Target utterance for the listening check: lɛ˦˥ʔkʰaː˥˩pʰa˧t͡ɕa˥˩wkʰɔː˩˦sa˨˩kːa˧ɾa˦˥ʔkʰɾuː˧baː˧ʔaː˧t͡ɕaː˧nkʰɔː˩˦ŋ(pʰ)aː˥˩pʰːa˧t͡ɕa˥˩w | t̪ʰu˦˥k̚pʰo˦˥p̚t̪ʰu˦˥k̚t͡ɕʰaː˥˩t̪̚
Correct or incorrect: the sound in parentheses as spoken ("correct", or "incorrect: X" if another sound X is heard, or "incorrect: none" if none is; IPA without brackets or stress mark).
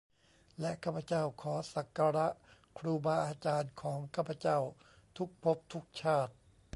incorrect: kʰ